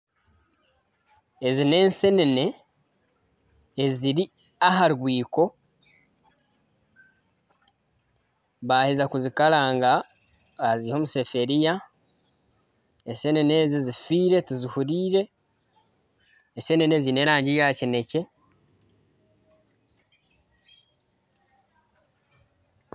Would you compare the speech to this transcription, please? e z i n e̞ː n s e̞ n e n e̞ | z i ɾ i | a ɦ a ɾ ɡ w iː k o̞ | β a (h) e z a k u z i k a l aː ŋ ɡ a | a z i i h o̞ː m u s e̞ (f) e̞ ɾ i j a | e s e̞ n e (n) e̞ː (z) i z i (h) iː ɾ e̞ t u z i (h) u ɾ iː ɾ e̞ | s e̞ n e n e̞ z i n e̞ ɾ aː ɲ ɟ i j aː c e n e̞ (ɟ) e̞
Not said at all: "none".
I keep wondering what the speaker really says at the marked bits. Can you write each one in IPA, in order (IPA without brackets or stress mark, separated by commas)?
h, f, n, z, f, h, c